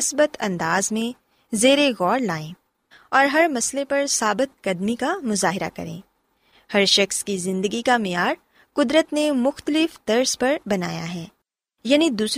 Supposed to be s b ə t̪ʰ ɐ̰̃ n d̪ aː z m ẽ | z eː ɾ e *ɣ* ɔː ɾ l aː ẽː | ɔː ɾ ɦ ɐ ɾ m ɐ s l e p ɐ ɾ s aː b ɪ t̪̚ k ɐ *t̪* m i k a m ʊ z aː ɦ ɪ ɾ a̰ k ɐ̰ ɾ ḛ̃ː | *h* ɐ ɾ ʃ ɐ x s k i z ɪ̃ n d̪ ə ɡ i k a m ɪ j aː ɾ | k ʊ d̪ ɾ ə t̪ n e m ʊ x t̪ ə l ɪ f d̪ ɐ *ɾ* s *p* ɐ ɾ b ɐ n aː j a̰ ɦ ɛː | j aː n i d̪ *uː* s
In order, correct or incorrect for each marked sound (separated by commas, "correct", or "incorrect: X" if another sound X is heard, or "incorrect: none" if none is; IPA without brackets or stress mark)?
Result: correct, incorrect: d̪, correct, correct, correct, correct